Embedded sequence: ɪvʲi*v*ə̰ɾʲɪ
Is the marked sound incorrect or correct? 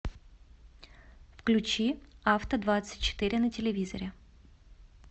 incorrect